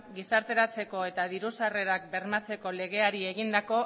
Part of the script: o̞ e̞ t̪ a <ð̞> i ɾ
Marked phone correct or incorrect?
correct